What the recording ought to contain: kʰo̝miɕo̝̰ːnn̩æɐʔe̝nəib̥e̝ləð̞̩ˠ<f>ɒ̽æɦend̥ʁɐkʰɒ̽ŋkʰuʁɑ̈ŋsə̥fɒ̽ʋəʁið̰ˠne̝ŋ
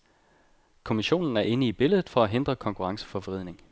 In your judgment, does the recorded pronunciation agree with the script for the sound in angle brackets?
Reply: yes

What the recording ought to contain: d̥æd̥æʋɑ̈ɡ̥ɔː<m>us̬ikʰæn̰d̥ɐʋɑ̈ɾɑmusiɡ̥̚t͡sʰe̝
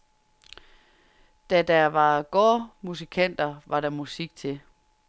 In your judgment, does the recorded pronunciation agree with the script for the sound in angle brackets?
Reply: yes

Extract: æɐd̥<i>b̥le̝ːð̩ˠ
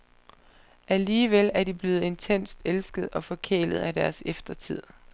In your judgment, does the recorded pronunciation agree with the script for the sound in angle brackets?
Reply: yes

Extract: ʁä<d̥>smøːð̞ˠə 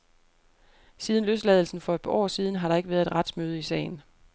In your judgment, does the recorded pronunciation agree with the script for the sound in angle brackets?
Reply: yes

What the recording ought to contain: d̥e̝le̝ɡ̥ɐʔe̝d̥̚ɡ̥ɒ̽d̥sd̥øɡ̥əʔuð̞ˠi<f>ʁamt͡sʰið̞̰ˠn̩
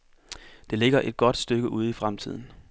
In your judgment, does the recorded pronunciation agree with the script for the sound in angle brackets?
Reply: yes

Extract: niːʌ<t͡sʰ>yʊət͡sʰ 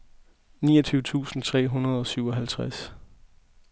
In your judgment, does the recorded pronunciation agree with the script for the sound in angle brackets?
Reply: yes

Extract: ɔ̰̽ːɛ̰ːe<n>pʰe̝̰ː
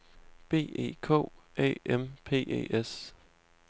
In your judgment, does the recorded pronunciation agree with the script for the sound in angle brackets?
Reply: no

